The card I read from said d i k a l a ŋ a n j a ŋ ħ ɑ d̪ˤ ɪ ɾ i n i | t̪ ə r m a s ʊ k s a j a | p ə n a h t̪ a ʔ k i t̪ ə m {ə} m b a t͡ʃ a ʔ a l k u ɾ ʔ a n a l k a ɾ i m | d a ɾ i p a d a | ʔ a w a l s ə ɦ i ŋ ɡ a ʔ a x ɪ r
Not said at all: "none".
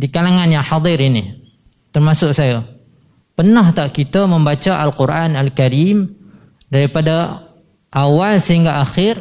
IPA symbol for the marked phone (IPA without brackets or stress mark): ə